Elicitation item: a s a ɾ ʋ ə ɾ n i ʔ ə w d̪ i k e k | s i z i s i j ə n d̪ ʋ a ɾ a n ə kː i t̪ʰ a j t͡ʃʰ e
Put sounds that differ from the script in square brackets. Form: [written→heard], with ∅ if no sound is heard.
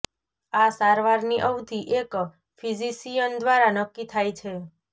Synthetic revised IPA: a s a ɾ ʋ [ə→a] ɾ n i ʔ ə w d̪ i [k→ʔ] e k | [s→f] i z i s i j ə n d̪ ʋ a ɾ a n ə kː i t̪ʰ a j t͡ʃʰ e